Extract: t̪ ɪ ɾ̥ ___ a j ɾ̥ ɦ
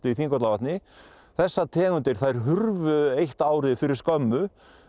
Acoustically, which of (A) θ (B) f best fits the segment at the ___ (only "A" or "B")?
A